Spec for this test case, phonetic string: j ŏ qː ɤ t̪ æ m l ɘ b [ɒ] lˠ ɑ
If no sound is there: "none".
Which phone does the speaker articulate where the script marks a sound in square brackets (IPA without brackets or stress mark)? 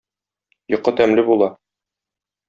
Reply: u